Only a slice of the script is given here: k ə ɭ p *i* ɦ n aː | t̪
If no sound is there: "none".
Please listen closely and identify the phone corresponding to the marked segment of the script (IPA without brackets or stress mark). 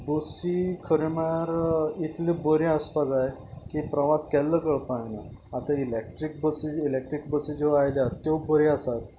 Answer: a